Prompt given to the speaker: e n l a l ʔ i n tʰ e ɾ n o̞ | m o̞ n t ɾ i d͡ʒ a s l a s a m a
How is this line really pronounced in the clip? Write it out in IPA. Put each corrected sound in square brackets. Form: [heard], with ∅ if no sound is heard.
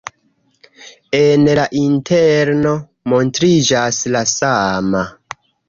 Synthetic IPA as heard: e n l a [∅] ʔ i n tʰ e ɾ n o̞ | m o̞ n t ɾ i d͡ʒ a s l a s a m a